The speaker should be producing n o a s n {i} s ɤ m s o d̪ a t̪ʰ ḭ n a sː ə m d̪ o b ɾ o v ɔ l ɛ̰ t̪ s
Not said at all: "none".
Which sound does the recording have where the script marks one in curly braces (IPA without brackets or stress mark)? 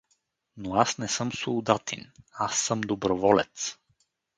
ɛ